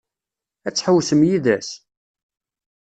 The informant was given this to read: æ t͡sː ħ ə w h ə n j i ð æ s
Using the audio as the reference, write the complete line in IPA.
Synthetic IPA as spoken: æ t͡sː ħ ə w s ə m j i ð æ s